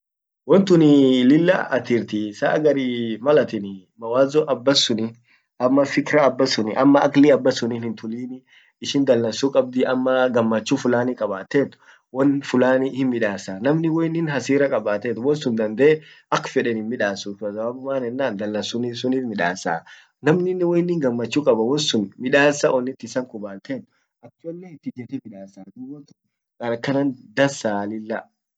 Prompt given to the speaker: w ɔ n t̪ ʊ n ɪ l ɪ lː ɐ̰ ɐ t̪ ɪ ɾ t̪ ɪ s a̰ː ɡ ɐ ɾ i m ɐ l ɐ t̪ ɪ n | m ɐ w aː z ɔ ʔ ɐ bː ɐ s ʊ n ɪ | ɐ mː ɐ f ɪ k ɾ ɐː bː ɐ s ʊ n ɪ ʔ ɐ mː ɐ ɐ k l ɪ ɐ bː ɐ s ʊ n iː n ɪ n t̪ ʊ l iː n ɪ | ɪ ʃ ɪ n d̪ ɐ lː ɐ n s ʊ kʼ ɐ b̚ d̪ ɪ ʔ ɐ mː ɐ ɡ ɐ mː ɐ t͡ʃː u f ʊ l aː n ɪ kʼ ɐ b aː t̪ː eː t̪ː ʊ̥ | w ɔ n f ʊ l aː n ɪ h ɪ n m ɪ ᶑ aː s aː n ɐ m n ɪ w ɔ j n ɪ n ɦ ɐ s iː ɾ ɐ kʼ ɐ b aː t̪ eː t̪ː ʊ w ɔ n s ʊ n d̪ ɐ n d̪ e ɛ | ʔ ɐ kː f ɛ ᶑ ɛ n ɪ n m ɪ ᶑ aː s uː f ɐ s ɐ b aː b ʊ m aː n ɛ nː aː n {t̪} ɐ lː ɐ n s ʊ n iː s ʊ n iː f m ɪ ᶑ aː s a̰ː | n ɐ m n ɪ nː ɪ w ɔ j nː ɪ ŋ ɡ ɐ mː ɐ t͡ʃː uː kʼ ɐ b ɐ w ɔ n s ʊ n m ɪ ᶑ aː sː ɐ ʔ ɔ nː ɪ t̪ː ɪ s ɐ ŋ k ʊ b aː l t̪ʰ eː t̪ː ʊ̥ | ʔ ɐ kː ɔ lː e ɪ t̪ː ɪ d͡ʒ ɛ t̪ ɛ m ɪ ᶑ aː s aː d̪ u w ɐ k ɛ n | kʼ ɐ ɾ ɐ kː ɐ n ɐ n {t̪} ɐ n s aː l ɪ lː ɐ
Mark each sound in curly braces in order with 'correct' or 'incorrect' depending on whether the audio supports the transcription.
incorrect, incorrect

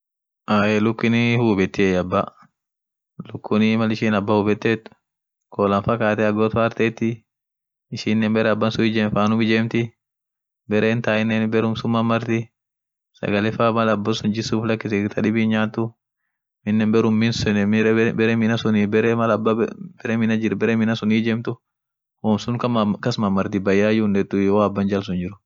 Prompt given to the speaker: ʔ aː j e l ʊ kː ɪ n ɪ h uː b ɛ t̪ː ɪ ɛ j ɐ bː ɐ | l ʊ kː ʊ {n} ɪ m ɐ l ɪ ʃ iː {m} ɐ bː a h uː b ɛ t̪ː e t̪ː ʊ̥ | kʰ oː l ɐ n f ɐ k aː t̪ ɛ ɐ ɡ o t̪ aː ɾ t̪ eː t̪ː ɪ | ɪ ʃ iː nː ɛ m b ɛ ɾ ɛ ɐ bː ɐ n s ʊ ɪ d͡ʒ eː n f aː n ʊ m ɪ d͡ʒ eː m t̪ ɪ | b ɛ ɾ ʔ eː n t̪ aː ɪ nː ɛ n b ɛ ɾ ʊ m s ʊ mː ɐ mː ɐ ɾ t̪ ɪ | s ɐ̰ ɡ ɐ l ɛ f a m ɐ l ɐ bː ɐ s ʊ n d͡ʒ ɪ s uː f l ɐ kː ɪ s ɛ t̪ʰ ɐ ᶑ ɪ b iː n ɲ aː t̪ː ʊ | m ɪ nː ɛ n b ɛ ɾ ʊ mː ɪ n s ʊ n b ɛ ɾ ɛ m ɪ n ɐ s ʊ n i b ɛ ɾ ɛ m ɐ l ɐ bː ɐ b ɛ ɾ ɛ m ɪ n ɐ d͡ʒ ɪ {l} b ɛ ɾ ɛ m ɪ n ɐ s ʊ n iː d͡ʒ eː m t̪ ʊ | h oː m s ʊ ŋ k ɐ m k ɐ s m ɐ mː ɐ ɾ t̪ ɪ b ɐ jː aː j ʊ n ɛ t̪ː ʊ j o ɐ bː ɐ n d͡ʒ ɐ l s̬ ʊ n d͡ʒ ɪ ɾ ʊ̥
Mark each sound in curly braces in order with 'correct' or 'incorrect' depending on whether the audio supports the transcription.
correct, incorrect, incorrect

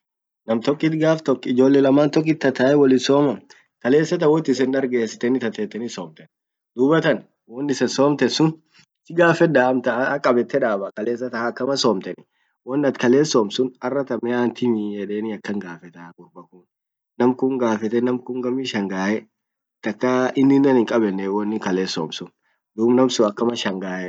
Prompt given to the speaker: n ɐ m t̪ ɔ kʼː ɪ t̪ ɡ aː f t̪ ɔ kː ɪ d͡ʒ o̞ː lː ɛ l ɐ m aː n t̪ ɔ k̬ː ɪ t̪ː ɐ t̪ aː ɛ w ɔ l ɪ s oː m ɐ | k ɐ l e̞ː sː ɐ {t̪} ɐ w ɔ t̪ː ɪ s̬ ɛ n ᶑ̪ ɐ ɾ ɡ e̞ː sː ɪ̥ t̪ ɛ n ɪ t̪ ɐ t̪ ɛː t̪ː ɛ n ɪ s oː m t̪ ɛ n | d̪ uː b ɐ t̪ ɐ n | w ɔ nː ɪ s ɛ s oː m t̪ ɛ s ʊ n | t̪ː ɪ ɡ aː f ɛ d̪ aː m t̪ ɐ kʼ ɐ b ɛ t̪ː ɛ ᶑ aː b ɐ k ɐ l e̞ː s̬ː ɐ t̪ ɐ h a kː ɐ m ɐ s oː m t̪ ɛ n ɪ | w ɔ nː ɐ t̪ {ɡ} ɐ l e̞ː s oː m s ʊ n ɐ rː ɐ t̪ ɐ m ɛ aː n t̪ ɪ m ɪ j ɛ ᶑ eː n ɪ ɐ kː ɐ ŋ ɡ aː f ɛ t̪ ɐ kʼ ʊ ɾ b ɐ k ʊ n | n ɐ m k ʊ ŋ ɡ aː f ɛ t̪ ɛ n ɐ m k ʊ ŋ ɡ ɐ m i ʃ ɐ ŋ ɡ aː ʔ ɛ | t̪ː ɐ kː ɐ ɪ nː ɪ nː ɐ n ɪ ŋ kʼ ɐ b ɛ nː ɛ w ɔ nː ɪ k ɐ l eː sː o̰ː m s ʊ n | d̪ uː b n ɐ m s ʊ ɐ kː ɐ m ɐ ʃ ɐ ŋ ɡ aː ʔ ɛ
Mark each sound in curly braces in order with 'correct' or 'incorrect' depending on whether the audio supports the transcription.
correct, incorrect

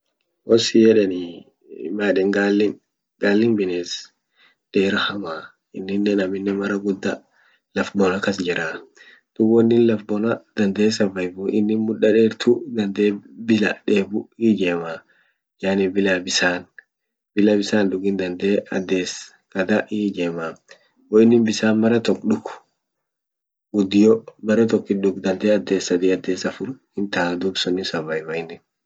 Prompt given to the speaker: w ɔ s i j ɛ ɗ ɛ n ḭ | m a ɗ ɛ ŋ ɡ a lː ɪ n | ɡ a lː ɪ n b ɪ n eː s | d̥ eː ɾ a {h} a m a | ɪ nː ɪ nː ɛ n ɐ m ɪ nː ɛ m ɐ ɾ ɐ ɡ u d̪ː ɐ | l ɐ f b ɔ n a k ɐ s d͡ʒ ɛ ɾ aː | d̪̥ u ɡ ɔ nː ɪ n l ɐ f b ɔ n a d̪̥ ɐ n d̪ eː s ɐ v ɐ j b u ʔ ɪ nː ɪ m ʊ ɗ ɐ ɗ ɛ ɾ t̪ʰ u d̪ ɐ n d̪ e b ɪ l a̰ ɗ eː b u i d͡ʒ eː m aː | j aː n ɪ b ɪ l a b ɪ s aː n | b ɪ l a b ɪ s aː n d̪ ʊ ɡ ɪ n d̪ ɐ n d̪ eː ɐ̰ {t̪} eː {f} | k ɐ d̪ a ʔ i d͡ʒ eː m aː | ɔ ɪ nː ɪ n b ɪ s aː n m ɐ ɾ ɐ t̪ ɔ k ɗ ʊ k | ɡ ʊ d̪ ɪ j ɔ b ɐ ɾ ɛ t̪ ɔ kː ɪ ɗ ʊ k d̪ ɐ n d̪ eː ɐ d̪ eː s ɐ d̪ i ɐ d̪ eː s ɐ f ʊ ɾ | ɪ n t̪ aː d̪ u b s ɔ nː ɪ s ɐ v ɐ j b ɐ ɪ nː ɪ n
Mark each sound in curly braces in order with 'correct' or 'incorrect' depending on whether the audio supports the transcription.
correct, incorrect, incorrect

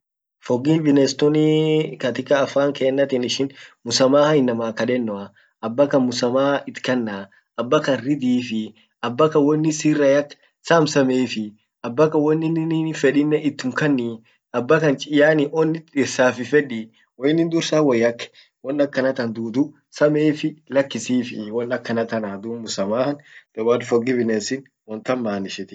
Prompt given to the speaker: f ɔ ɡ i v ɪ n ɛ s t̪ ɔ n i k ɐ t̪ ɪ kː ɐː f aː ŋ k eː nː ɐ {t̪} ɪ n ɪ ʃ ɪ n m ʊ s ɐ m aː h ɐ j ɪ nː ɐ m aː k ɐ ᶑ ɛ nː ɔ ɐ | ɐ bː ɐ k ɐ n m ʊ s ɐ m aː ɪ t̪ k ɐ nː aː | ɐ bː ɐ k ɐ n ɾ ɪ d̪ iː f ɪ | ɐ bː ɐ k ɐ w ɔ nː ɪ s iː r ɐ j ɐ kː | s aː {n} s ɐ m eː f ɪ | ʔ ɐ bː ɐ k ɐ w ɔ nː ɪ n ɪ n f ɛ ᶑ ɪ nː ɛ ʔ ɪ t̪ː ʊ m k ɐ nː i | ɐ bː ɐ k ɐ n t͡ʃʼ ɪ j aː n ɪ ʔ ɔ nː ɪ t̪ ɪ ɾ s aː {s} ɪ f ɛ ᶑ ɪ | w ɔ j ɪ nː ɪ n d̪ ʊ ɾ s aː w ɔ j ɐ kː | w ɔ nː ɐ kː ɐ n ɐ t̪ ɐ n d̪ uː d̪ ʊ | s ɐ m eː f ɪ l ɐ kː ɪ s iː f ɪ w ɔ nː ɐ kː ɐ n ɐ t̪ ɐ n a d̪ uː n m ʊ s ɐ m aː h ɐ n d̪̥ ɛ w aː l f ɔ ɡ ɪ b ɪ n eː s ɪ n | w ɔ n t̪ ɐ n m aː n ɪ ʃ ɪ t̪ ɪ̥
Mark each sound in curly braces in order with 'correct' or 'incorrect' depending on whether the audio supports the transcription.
correct, incorrect, incorrect

